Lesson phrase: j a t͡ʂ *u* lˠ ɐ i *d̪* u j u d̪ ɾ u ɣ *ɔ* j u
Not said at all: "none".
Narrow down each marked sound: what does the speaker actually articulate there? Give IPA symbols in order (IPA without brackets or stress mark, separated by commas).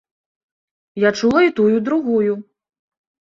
u, t̪, u